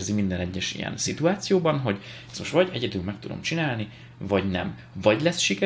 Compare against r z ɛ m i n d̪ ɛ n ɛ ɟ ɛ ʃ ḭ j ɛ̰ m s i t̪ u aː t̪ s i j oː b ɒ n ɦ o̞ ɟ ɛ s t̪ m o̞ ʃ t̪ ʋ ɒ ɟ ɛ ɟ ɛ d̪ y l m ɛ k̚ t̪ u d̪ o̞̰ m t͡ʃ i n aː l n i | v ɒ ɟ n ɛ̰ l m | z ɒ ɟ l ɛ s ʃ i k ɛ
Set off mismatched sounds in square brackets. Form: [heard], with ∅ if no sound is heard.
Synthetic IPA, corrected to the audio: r z [i] m i n d̪ ɛ n ɛ [ɟː] ɛ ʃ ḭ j ɛ̰ [n] s i t̪ u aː t̪ s i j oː b ɒ n ɦ o̞ ɟ ɛ s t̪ m o̞ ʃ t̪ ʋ ɒ ɟ ɛ ɟ ɛ d̪ y l m ɛ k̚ t̪ u d̪ o̞̰ m t͡ʃ i n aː l n i | v ɒ ɟ n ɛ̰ [∅] m | [v] ɒ ɟ l ɛ s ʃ i k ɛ